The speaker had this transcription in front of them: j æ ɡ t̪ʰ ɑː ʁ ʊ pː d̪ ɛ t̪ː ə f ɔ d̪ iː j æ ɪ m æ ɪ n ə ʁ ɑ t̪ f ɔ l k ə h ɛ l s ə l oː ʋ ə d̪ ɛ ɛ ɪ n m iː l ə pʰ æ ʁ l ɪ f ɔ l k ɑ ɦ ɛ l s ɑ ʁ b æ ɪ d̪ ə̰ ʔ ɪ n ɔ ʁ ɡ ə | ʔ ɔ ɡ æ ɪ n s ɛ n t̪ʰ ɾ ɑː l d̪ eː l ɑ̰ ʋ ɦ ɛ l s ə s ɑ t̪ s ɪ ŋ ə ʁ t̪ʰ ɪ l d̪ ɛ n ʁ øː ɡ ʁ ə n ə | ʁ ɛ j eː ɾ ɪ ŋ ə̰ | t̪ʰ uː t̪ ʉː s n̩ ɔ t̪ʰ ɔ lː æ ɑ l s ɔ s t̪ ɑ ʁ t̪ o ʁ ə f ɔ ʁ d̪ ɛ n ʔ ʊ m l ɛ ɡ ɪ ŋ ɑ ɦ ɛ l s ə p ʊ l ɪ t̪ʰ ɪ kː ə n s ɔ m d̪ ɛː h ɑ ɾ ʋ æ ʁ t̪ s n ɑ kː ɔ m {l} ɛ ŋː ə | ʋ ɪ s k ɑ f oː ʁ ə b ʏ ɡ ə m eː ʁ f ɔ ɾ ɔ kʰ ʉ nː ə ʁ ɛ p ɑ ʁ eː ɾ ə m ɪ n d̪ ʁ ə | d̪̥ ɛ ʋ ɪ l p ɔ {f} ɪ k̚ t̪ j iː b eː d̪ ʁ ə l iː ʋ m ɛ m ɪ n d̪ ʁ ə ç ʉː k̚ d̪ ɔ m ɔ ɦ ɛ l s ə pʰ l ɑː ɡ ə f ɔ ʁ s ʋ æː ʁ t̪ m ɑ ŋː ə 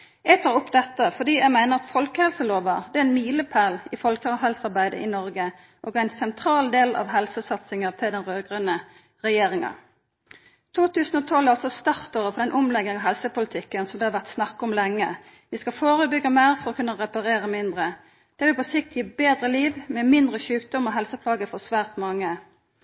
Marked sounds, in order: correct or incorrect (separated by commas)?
correct, incorrect